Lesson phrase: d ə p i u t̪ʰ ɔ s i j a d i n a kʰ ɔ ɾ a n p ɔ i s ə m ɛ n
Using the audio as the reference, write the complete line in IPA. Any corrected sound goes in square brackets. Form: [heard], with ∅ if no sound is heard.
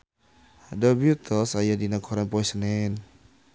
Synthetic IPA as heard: d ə [b] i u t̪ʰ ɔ s [a] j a d i n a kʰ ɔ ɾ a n p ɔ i s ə [n] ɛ n